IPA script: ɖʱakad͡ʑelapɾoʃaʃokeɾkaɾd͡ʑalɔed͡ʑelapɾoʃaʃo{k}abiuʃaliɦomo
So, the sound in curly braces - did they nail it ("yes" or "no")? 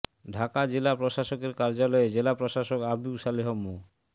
yes